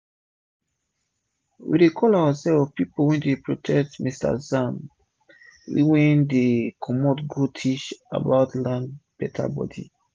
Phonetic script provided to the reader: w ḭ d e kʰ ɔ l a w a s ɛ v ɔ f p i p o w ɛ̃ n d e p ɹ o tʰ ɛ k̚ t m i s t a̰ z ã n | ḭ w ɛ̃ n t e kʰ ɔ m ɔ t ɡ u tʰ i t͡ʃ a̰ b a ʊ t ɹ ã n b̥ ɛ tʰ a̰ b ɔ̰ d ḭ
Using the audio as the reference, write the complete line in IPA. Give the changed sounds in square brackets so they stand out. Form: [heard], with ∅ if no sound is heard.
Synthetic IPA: w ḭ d e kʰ ɔ l a w a s ɛ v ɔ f p i p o w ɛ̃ n d e p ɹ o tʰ ɛ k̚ t m i s t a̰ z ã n | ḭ w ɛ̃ n [d] e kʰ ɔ m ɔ t ɡ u tʰ i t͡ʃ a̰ b a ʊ t [l] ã n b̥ ɛ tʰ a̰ b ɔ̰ d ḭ